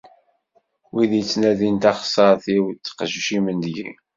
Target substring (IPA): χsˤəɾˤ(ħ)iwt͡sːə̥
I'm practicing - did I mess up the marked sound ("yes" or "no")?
yes